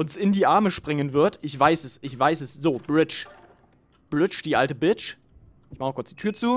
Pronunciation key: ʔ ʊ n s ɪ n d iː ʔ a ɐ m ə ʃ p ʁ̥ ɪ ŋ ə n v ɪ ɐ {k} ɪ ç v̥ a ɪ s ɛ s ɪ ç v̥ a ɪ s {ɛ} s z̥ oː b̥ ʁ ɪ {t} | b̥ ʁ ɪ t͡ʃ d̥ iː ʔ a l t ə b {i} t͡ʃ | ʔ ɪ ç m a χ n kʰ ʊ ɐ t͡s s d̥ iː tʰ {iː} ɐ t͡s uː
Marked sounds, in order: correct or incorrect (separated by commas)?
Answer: incorrect, correct, incorrect, incorrect, incorrect